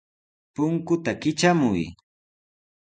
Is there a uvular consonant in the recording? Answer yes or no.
no